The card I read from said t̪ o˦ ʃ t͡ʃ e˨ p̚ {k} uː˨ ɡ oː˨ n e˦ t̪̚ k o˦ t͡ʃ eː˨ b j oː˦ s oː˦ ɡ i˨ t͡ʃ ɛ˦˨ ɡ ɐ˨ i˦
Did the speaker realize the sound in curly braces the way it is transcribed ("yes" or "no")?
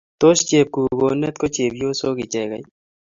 yes